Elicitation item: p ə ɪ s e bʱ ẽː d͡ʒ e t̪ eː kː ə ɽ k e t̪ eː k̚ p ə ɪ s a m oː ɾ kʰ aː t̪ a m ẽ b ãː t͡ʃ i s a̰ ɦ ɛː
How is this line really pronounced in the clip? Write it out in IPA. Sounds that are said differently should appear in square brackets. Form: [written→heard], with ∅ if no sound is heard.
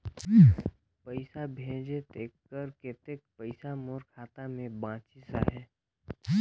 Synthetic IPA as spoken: p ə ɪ s [e→a] bʱ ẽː d͡ʒ e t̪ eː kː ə [ɽ→ɾ] k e t̪ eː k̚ p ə ɪ s a m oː ɾ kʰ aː t̪ a m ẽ b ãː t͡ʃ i s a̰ ɦ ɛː